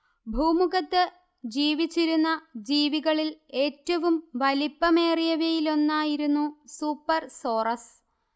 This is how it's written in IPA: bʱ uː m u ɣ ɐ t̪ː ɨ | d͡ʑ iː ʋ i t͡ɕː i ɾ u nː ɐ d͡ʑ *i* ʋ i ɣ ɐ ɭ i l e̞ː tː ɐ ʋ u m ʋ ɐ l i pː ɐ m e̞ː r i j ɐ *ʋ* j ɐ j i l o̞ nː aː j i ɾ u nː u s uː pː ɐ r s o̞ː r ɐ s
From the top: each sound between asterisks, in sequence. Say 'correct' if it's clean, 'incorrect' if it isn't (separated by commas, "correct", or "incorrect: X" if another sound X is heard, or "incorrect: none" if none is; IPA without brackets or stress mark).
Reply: incorrect: iː, correct